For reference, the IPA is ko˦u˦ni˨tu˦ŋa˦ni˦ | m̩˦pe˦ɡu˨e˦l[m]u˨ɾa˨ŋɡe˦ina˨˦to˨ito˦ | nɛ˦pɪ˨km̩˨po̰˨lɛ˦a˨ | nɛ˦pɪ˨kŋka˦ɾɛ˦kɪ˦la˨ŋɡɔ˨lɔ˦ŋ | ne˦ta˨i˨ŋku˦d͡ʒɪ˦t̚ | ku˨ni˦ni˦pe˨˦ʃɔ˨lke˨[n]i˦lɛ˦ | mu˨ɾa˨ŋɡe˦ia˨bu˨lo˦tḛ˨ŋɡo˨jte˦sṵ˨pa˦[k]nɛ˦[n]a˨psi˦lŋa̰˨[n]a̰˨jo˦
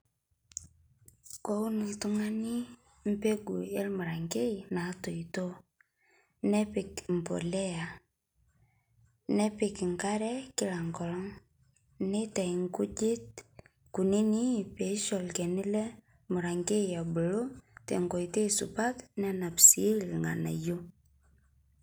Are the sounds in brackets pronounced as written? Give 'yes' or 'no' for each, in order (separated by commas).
yes, yes, no, yes, yes